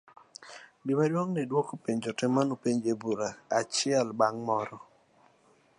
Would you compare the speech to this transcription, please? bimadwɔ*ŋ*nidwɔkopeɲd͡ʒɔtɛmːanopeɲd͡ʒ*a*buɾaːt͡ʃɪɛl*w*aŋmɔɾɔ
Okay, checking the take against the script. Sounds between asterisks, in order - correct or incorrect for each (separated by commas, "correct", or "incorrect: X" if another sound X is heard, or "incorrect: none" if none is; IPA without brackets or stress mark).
correct, incorrect: e, incorrect: b